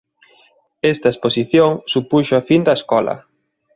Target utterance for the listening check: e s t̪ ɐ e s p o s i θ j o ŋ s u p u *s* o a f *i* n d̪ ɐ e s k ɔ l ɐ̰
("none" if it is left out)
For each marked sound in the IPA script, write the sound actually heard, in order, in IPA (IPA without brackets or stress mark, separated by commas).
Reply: ʃ, i